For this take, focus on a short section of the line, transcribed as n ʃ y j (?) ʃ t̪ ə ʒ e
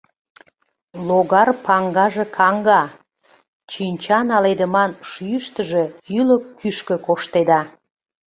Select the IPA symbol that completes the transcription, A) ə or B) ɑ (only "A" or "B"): A